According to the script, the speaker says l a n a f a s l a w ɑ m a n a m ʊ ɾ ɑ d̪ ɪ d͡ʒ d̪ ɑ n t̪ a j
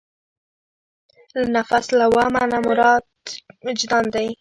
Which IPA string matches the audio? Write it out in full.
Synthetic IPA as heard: l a n a f a s l a w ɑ m a n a m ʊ ɾ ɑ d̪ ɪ d͡ʒ d̪ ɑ n d̪ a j